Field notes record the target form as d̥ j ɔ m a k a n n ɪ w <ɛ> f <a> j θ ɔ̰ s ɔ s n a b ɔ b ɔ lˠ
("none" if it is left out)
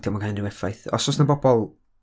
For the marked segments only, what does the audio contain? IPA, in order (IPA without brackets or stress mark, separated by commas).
ɛ, a